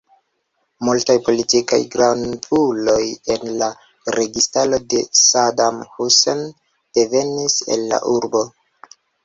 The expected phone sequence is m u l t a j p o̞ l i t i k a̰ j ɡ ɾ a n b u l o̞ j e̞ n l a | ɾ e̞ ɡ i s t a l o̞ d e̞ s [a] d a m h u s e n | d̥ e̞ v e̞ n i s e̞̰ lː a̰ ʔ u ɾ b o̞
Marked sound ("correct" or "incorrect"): correct